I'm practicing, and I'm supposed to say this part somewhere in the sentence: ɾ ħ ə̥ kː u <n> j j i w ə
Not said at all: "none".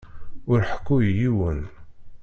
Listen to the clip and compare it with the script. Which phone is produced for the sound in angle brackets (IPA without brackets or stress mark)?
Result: none